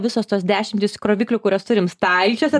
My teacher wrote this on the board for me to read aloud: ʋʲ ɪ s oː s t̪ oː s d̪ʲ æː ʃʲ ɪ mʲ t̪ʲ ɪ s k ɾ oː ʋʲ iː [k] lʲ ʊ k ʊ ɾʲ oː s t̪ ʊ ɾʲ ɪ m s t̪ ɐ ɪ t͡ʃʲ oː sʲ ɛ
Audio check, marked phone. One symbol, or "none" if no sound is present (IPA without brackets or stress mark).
k